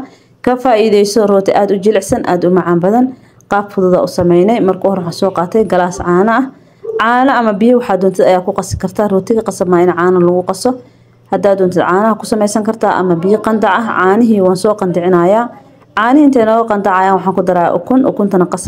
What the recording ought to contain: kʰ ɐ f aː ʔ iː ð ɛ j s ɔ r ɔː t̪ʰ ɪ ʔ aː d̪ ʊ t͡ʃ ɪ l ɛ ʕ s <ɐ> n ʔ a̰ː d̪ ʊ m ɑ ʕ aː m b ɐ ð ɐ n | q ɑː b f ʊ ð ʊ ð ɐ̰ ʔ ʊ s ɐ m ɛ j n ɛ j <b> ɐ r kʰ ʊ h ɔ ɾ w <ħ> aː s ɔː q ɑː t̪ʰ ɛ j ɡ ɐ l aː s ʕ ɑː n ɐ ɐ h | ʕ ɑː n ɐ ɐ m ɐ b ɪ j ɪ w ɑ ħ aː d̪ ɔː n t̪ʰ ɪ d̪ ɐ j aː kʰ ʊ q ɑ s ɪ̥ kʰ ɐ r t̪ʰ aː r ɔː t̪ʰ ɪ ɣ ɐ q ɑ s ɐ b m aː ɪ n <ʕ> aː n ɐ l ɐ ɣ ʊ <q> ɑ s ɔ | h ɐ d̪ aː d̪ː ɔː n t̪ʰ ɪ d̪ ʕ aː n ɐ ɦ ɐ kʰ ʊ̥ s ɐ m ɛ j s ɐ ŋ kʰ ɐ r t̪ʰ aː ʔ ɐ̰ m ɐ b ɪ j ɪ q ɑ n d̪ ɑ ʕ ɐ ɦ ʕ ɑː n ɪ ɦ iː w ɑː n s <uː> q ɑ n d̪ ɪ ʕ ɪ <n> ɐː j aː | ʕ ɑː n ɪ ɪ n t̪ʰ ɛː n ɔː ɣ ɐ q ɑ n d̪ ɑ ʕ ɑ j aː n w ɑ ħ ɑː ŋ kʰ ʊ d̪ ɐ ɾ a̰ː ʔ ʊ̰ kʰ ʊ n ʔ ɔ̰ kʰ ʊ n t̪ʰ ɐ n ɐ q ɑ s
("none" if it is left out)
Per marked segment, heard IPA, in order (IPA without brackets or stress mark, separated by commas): ɐ, m, ħ, ʕ, q, ɔː, n